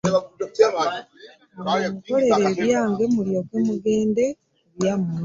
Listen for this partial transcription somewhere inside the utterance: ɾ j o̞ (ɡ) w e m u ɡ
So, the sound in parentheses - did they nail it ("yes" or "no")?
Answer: no